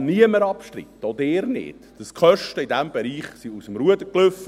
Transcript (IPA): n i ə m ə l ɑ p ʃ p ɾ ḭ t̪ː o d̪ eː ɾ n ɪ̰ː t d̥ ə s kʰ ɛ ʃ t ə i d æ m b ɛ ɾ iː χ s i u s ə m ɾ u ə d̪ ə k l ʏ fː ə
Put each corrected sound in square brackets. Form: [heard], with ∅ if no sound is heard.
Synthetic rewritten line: n i ə m ə [ɾ] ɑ p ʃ [t] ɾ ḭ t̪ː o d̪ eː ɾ n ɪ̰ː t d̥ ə s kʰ [œ] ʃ t ə i d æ m b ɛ ɾ iː χ s i u s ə m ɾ u ə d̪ ə k l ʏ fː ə